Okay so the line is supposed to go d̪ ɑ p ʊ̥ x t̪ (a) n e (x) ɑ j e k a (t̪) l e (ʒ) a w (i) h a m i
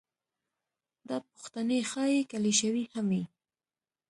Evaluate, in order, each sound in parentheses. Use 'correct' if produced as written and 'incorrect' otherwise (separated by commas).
correct, correct, incorrect, incorrect, correct